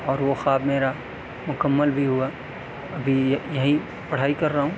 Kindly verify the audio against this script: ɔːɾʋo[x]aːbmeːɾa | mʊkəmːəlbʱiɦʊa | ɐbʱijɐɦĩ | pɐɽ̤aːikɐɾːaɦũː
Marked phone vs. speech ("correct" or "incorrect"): correct